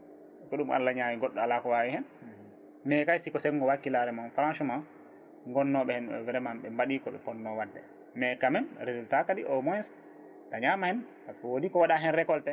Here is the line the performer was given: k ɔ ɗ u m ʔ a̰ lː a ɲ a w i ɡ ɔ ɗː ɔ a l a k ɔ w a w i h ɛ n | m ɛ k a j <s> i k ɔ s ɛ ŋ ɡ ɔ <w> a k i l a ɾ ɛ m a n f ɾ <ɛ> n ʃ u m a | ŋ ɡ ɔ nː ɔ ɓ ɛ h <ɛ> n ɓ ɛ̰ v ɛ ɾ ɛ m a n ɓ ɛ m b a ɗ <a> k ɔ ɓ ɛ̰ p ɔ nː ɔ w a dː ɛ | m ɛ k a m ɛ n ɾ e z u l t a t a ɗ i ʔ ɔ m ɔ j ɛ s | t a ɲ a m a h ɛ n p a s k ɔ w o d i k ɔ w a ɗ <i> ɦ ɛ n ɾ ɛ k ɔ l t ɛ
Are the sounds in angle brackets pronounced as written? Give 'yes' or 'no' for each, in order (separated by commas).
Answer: yes, yes, no, yes, no, no